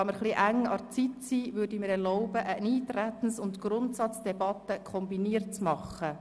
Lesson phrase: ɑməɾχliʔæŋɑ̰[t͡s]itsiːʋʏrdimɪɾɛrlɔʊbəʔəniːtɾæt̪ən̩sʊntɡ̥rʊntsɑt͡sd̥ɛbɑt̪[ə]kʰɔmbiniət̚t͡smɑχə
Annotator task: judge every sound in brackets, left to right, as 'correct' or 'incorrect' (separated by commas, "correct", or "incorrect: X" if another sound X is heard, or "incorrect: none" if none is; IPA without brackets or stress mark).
correct, correct